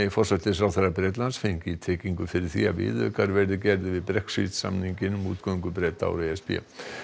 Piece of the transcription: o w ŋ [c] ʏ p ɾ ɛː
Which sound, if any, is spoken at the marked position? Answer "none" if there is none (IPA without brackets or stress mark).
k